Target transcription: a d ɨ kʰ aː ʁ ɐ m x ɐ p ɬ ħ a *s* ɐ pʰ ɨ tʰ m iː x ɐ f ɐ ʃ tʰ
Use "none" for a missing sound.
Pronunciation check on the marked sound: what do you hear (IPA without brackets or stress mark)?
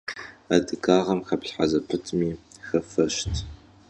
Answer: z